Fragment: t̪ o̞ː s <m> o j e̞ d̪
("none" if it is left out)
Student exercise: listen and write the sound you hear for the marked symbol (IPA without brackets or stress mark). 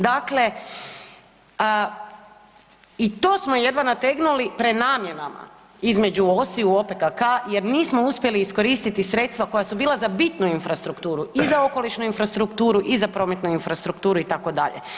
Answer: m